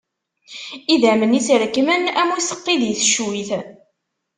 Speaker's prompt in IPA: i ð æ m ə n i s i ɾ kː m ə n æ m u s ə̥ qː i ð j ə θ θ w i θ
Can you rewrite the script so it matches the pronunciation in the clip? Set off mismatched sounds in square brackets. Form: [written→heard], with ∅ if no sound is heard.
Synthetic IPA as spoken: i ð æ m ə n i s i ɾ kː m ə n æ m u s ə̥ qː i ð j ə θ [θ→ʃ] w i θ